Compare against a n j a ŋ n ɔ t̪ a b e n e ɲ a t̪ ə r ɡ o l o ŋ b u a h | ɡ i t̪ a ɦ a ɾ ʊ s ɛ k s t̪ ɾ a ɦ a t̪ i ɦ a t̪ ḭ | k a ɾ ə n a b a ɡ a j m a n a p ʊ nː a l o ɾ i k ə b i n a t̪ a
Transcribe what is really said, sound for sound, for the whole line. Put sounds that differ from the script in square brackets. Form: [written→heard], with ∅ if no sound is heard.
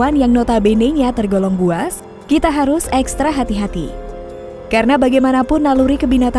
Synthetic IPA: a n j a ŋ n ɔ t̪ a b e n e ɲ a t̪ ə r ɡ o l [o→ɔ] ŋ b u a [h→s] | [ɡ→k] i t̪ a ɦ a ɾ ʊ s ɛ k s t̪ ɾ a ɦ a t̪ i ɦ a t̪ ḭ | k a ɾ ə n a b a ɡ a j m a n a p ʊ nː a l [o→u] ɾ i k ə b i n a t̪ a